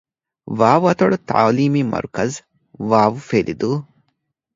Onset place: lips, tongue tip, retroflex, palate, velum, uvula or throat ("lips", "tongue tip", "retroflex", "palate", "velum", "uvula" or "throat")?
lips